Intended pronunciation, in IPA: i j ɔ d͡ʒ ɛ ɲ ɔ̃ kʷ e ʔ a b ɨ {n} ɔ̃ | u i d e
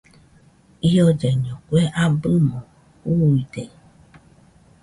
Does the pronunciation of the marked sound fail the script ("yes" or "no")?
yes